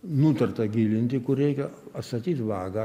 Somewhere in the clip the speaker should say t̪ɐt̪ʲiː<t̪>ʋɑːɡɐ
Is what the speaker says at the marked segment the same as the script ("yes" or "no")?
yes